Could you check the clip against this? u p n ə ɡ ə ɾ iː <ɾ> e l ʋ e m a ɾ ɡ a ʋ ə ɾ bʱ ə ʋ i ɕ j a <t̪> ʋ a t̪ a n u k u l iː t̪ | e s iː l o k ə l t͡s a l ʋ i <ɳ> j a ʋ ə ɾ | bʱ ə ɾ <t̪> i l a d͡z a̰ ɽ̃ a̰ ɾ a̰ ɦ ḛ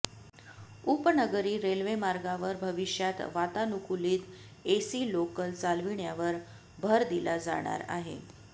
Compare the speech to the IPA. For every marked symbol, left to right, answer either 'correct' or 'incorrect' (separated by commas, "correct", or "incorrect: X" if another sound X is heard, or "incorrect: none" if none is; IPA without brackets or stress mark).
correct, correct, correct, incorrect: d̪